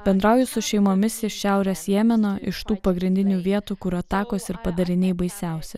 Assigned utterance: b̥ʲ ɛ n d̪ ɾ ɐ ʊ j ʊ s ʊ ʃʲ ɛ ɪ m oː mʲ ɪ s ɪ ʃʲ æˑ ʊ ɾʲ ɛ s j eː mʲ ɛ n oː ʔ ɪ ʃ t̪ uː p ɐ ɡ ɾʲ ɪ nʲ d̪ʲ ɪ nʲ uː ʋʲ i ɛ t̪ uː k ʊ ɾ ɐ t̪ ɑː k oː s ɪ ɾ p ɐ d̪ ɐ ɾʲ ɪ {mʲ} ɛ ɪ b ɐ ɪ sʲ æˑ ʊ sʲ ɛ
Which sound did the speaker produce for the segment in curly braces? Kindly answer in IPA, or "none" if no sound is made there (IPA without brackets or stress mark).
nʲ